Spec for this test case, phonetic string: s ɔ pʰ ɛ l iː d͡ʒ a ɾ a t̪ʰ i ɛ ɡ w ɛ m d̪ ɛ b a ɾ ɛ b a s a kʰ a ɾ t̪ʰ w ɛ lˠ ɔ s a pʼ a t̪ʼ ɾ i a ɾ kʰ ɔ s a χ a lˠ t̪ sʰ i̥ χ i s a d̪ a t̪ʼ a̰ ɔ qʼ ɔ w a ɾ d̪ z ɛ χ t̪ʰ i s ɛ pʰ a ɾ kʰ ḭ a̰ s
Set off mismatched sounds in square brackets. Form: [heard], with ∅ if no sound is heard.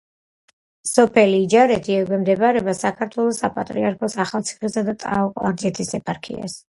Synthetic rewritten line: s ɔ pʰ ɛ l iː d͡ʒ a ɾ [ɛ] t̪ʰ i ɛ ɡ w ɛ m d̪ ɛ b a ɾ ɛ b a s a kʰ a ɾ t̪ʰ w ɛ lˠ ɔ s a pʼ a t̪ʼ ɾ i a ɾ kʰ ɔ s a χ a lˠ t̪ sʰ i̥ χ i s a d̪ a t̪ʼ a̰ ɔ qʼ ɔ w a ɾ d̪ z ɛ [∅] t̪ʰ i s ɛ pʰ a ɾ kʰ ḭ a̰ s

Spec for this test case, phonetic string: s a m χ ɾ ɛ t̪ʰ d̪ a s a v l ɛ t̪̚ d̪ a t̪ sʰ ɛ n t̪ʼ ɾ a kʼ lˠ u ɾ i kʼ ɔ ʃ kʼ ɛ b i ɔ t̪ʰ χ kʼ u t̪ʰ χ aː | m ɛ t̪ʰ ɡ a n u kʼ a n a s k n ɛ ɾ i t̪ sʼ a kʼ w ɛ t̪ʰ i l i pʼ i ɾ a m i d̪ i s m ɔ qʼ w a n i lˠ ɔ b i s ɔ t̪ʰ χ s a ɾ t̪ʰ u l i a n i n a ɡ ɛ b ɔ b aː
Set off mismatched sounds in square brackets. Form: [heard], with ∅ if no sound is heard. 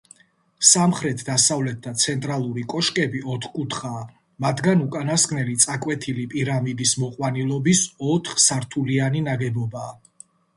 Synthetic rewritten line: s a m χ ɾ ɛ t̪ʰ d̪ a s a v l ɛ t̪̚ d̪ a t̪ sʰ ɛ n t̪ʼ ɾ a [∅] lˠ u ɾ i kʼ ɔ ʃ kʼ ɛ b i ɔ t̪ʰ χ kʼ u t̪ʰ χ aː | m [a] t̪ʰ ɡ a n u kʼ a n a s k n ɛ [l] i t̪ sʼ a kʼ w ɛ t̪ʰ i l i pʼ i ɾ a m i d̪ i s m ɔ qʼ w a n i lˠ ɔ b i s ɔ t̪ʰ χ s a ɾ t̪ʰ u l i a n i n a ɡ ɛ b ɔ b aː

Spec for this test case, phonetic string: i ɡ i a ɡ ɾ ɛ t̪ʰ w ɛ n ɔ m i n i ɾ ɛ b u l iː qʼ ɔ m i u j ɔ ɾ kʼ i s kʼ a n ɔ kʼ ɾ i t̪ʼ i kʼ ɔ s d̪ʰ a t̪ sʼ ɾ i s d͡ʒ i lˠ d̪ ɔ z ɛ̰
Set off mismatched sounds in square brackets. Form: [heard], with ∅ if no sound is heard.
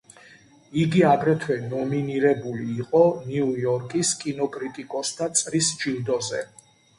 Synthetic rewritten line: i ɡ i a ɡ ɾ ɛ t̪ʰ w ɛ n ɔ m i n i ɾ ɛ b u l iː qʼ ɔ [n] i u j ɔ ɾ kʼ i s kʼ [i] n ɔ kʼ ɾ i t̪ʼ i kʼ ɔ s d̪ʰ a t̪ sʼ ɾ i s d͡ʒ i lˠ d̪ ɔ z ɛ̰

